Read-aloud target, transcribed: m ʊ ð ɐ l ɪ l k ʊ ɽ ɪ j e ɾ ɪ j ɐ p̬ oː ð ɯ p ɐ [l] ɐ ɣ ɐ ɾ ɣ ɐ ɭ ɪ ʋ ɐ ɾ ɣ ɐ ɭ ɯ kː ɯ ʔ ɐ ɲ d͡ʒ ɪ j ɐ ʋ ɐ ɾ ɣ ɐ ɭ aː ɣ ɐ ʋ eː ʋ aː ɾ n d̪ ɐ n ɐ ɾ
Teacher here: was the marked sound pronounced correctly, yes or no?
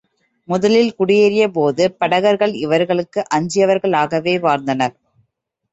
no